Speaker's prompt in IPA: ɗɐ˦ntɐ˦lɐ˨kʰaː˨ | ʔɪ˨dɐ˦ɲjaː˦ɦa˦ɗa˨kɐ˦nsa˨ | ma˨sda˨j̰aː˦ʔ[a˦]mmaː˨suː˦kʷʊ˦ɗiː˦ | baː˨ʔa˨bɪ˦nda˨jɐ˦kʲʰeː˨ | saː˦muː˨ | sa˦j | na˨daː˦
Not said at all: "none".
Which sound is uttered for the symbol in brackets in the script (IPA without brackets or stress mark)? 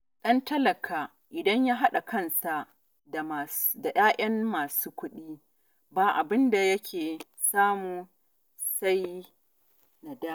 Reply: ɐ˦